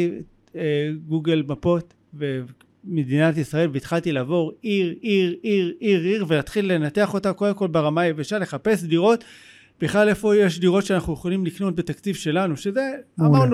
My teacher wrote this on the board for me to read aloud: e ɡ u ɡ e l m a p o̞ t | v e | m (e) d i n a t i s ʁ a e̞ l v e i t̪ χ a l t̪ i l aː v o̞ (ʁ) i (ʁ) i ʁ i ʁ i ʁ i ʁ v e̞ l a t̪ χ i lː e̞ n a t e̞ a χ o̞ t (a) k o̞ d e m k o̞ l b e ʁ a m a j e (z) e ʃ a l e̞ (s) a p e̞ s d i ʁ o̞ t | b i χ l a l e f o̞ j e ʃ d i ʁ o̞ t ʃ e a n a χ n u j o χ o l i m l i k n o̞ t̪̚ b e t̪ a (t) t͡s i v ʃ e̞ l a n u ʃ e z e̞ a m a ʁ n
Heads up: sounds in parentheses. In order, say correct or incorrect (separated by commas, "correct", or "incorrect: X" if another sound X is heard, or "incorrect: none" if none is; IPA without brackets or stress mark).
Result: correct, correct, correct, correct, incorrect: v, incorrect: χ, incorrect: k